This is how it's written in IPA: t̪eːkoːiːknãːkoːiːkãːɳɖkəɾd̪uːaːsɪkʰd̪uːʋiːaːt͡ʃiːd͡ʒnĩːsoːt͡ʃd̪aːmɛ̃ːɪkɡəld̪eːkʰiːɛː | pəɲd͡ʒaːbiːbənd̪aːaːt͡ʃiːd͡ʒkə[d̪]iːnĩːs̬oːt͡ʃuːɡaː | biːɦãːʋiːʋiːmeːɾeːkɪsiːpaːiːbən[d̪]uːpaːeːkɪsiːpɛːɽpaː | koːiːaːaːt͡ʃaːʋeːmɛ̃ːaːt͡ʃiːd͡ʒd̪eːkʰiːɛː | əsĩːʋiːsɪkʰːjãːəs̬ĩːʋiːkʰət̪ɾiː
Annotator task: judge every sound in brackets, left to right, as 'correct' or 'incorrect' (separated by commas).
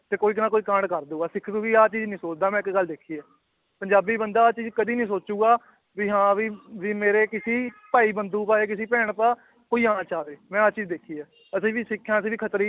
correct, correct